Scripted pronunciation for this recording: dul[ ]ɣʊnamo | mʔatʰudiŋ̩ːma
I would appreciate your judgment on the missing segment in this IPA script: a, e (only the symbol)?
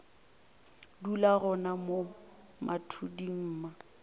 a